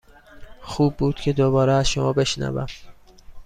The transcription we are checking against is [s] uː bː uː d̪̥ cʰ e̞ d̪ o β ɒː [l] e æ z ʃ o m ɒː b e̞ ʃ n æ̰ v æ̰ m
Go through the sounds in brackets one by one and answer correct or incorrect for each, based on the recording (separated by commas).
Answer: incorrect, incorrect